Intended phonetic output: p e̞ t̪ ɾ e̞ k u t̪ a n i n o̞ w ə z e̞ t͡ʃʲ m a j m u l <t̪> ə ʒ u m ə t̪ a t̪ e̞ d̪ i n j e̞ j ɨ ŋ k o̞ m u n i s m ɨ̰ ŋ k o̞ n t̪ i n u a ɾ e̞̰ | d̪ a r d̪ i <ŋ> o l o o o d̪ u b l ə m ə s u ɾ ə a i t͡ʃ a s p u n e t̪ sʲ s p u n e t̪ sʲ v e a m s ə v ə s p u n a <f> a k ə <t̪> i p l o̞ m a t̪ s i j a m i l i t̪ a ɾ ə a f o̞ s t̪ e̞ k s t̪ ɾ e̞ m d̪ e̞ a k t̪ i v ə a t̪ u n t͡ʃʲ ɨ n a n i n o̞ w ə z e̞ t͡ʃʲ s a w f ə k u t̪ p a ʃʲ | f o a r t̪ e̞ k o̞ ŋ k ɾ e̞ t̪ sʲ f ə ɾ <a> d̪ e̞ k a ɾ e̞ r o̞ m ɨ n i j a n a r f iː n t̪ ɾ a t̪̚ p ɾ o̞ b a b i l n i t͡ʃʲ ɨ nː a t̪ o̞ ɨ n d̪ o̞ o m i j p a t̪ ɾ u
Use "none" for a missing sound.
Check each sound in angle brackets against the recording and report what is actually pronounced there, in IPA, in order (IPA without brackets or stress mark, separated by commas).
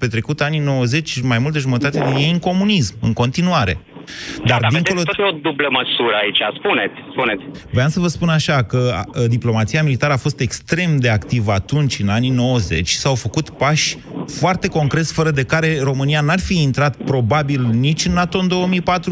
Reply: t̪, ŋ, ʃ, d̪, ə